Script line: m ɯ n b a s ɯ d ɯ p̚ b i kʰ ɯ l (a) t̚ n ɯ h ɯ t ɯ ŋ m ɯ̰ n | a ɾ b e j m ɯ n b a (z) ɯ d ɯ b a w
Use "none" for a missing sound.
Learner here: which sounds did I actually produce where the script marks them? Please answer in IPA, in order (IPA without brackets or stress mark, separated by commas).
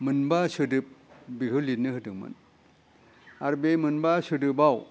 i, s